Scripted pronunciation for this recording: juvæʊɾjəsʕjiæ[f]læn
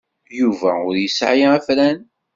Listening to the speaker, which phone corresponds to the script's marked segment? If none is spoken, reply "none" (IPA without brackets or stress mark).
f